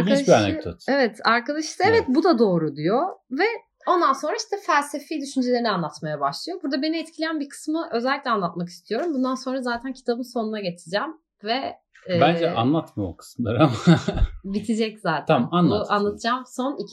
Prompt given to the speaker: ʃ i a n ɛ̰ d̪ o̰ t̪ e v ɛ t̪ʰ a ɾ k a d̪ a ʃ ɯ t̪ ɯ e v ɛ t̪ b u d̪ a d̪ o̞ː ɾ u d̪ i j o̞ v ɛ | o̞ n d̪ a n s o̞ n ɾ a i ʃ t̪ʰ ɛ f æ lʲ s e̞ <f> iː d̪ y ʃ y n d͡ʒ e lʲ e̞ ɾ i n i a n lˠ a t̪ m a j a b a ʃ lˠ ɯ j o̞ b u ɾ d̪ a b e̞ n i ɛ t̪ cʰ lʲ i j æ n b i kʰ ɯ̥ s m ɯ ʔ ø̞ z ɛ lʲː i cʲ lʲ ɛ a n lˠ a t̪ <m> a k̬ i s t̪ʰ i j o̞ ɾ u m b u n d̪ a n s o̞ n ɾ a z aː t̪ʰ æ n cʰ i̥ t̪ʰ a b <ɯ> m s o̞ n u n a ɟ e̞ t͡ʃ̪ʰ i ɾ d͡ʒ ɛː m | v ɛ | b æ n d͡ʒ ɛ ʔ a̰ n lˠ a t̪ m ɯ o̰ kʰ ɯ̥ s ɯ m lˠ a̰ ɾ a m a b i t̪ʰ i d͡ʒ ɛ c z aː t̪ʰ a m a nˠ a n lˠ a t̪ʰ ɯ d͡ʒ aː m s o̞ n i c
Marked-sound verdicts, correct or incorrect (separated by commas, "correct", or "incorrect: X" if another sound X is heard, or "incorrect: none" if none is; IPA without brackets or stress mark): correct, correct, correct